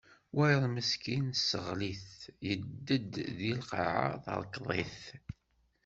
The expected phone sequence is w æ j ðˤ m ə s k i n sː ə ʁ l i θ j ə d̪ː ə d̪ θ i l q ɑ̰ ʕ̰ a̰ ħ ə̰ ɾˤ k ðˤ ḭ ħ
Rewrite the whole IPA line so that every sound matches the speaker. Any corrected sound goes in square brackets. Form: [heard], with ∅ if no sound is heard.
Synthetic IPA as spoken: w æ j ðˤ m ə s k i n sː ə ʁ l i θ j ə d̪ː ə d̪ [ð] i l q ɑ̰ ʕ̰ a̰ [θ] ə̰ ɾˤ k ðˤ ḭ [θ]